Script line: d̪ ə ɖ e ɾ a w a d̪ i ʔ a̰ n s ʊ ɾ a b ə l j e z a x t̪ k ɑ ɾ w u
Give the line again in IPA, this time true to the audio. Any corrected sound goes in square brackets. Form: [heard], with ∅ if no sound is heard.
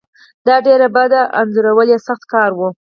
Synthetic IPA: d̪ [ɑ] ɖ e ɾ a [b] a d̪ [a] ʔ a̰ n [z] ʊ ɾ a [w] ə l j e [s] a x t̪ k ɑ ɾ w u

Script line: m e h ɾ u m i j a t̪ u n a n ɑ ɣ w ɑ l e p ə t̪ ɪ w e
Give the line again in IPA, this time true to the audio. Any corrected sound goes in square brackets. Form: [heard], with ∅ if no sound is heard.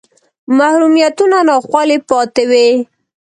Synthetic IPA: m [a] h ɾ u m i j a t̪ u n a n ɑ [x] w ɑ l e p [ɑ] t̪ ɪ w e

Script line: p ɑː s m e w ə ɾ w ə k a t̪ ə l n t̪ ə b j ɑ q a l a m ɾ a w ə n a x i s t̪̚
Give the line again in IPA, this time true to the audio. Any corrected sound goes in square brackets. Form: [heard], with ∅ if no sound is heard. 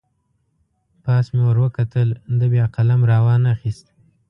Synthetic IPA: p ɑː s m e w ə ɾ w ə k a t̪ ə l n [d̪] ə b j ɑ q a l a m ɾ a w [ɑ] n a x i s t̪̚

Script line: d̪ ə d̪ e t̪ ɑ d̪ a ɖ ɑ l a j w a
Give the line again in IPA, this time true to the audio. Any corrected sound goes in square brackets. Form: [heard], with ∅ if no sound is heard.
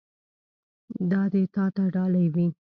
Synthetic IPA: d̪ [ɑ] d̪ e t̪ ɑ [t̪] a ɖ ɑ l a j w [i]

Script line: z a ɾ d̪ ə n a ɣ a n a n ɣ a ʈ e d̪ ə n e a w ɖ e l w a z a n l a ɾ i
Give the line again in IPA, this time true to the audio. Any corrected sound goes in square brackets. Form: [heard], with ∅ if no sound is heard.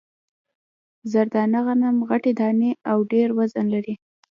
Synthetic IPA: z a ɾ d̪ [ɑ] n a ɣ a n a [m] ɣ a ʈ e d̪ [ɑ] n e a w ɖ e [ɾ] w a z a n l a ɾ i

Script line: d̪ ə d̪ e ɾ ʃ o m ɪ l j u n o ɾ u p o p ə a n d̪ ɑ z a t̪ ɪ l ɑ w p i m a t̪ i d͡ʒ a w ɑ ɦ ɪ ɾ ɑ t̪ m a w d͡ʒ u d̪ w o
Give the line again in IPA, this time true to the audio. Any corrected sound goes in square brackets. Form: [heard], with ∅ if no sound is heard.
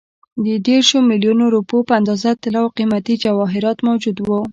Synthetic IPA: d̪ ə d̪ e ɾ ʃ o m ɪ l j u n o ɾ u p o p ə a n d̪ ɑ z a t̪ ɪ l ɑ w [q] i m a t̪ i d͡ʒ a w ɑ ɦ ɪ ɾ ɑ t̪ m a w d͡ʒ u d̪ w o

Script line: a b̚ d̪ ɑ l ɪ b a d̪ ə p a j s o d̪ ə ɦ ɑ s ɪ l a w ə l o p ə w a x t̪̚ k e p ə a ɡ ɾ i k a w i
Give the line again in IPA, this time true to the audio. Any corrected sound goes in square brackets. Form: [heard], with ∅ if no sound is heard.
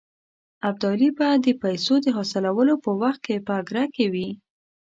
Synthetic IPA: a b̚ d̪ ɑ l [i] b a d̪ ə p a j s o d̪ ə ɦ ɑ s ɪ l a w ə l o p ə w a x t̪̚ k e p ə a ɡ ɾ [a] k [e] w i

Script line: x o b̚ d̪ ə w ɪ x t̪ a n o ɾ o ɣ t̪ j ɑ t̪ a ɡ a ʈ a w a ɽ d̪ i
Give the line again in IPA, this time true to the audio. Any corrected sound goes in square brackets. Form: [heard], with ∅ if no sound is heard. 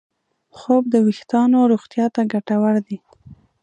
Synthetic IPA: x o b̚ d̪ ə w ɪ x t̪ [ɑ] n o ɾ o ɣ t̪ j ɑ t̪ a ɡ a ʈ a w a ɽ d̪ i

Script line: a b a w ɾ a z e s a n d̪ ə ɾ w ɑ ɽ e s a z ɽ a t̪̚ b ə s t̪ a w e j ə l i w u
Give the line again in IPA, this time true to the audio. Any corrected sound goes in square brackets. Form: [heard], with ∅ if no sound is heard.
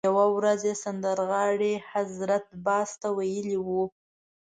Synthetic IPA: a [w] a w ɾ a z e s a n d̪ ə ɾ [ɣ] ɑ ɽ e [h] a z [ɾ] a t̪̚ b [ɑ] s t̪ a w [a] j ə l i w u

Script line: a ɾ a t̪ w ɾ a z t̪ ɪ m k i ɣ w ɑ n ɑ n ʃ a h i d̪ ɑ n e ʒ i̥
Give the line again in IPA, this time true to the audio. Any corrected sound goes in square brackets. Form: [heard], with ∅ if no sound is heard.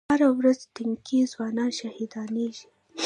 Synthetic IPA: a ɾ a [∅] w ɾ a z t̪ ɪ [ŋ] k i [z] w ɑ n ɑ n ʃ a h i d̪ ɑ n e ʒ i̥

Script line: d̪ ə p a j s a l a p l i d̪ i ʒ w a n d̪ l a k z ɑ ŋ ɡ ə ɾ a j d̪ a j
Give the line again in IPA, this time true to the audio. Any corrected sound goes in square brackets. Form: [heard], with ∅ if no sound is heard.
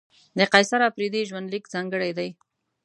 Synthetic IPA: d̪ ə [q] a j s a [ɾ] a p [ɾ] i d̪ i ʒ w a n d̪ l [i] k z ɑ ŋ ɡ ə [ɽ] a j d̪ a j

